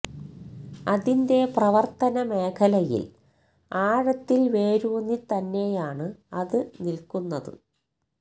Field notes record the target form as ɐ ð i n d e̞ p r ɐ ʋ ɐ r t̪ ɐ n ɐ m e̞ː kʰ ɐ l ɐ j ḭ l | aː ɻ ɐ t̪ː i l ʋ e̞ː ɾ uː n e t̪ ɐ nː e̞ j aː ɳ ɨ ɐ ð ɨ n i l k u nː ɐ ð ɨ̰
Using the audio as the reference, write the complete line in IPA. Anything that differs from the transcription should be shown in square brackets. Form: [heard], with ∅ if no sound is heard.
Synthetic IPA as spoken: ɐ ð i n d e̞ p r ɐ ʋ ɐ r t̪ ɐ n ɐ m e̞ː kʰ ɐ l ɐ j ḭ l | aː ɻ ɐ t̪ː i l ʋ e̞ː ɾ uː n [i] t̪ ɐ nː e̞ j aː ɳ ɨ ɐ ð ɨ n i l k u nː ɐ ð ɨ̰